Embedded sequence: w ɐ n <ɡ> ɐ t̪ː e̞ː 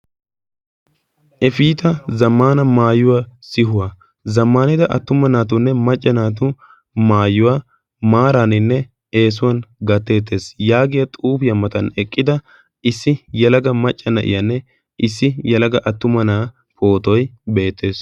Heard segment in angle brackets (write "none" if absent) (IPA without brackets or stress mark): ɡ